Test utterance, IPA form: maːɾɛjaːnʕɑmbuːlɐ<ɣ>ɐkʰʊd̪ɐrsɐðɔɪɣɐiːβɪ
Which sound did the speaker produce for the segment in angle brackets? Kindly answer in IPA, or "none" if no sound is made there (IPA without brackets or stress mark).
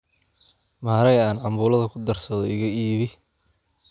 ð